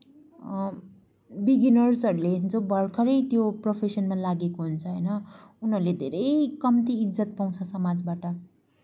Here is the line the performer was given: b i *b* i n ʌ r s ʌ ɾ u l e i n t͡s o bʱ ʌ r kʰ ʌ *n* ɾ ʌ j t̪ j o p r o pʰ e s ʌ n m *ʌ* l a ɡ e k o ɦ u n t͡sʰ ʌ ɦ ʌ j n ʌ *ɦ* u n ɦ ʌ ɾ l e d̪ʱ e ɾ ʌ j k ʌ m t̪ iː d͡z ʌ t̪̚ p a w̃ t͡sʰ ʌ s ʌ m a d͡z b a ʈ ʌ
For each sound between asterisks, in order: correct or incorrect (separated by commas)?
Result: incorrect, incorrect, incorrect, incorrect